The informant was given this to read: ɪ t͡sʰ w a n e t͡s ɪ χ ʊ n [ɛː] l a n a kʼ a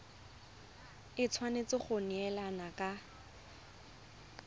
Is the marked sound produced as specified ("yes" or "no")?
no